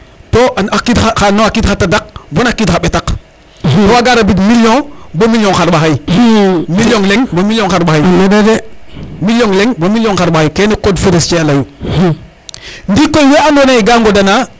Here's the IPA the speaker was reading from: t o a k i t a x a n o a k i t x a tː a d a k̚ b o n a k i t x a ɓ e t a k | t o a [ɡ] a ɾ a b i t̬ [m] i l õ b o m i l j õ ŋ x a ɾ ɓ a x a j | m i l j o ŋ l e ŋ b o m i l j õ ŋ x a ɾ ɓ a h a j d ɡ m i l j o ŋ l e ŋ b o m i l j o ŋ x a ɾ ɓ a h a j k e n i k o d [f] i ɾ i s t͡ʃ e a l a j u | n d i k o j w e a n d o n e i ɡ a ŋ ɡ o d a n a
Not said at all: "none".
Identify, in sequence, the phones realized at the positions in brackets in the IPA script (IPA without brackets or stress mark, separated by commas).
ɡ, m, f